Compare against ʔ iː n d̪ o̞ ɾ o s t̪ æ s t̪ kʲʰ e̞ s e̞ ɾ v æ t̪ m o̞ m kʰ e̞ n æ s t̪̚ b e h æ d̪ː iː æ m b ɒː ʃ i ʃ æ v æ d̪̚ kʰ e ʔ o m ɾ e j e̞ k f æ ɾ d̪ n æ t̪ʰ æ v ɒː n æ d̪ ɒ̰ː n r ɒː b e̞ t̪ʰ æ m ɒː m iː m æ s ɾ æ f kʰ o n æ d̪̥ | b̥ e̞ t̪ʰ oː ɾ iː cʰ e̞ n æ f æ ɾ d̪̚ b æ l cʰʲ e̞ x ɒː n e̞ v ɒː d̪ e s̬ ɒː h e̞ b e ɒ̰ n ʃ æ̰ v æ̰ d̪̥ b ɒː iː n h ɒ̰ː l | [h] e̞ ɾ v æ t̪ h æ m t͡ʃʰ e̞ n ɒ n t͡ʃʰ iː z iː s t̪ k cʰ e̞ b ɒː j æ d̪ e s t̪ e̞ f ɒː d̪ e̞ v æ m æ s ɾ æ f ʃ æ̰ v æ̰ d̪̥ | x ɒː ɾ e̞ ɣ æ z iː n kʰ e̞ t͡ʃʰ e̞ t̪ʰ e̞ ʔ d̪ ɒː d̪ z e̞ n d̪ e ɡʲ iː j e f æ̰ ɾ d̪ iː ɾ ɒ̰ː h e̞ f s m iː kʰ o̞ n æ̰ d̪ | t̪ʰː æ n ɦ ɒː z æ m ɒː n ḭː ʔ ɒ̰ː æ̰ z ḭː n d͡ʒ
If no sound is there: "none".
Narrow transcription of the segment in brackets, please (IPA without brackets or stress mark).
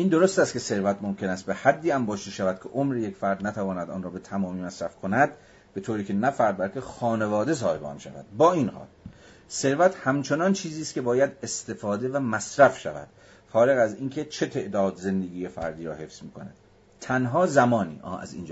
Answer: s